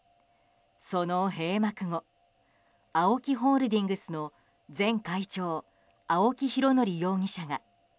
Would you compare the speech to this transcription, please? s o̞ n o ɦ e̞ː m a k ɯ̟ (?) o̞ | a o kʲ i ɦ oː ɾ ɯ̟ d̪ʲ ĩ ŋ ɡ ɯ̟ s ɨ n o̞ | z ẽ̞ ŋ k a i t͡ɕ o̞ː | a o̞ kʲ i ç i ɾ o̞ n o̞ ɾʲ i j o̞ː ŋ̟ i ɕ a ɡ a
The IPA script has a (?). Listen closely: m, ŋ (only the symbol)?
ŋ